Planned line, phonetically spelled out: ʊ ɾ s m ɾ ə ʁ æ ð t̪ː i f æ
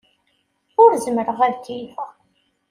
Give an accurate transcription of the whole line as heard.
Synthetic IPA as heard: ʊ ɾ z m ɾ ə ʁ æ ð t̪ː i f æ